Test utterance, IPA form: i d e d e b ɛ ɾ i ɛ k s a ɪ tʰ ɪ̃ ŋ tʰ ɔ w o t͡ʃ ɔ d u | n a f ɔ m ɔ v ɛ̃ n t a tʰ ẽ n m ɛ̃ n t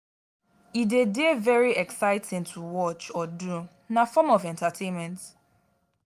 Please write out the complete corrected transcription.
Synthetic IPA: i d e d e v ɛ ɹ i ɛ k s a ɪ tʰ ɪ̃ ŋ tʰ u w ɔ t͡ʃ ɔ d u | n a f ɔ m ɔ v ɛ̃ n t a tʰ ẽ n m ɛ̃ n t